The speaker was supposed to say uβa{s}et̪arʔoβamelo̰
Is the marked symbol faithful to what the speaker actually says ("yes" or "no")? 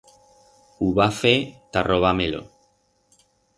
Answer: no